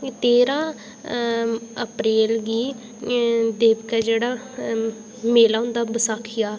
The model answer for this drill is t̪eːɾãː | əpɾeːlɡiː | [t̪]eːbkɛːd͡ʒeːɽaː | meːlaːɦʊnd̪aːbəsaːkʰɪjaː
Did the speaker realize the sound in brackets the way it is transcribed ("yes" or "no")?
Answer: no